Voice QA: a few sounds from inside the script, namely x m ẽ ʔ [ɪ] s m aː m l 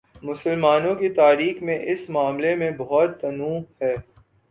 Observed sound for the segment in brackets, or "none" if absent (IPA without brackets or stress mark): ɪ